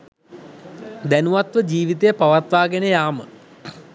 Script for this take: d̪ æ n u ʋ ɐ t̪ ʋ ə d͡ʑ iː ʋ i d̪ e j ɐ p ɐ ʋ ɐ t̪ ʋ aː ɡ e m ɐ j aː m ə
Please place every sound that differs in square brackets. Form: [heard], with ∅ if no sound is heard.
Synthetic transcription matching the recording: d̪ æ n u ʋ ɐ t̪ ʋ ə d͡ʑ iː ʋ i [t̪] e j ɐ p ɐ ʋ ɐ t̪ ʋ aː ɡ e [n] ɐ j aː m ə

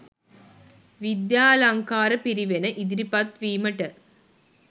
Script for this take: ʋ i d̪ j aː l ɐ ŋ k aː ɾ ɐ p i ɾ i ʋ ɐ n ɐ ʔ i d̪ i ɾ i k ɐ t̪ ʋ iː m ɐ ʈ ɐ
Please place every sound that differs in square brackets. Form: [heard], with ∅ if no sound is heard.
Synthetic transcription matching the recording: ʋ i d̪ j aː l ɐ ŋ k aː ɾ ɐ p i ɾ i ʋ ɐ n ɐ ʔ i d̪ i ɾ i [p] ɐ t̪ ʋ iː m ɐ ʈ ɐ

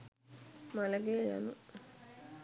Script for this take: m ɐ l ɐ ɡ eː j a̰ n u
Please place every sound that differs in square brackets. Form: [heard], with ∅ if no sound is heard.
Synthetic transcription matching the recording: m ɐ l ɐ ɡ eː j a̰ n u

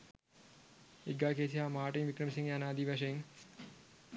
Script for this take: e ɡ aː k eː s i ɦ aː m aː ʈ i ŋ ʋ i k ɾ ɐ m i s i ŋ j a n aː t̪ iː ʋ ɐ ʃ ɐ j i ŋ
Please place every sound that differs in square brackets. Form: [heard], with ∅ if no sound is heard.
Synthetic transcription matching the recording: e ɡ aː k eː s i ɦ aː m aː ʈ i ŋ ʋ i k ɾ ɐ m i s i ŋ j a n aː [d̪] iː ʋ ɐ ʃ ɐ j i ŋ

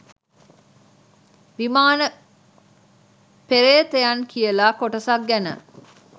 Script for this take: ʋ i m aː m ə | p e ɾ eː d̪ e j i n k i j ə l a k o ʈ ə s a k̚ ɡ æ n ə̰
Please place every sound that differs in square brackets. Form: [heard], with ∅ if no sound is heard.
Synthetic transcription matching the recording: ʋ i m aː [n] ə | p e ɾ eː [t̪] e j [a] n k i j ə l a k o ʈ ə s a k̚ ɡ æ n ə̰

